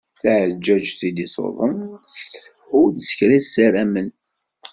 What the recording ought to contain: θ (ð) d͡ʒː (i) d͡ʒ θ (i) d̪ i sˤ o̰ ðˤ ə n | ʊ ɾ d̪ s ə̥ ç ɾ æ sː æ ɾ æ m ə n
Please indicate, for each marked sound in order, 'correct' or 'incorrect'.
incorrect: ʕ, incorrect: æ, correct

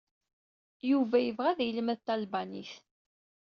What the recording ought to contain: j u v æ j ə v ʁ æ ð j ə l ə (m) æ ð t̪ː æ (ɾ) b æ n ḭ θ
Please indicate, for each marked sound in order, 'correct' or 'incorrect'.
correct, incorrect: l

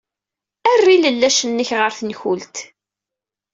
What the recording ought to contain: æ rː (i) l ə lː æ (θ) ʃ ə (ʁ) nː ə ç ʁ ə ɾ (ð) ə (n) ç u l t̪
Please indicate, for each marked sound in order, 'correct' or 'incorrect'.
correct, incorrect: none, incorrect: none, incorrect: θ, correct

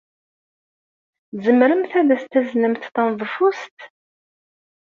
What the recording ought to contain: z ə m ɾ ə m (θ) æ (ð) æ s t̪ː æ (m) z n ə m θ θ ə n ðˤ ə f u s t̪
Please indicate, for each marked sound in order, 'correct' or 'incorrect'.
correct, correct, incorrect: none

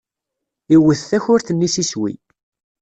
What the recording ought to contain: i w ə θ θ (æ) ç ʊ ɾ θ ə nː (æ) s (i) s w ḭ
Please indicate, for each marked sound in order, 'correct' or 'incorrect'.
correct, incorrect: i, correct

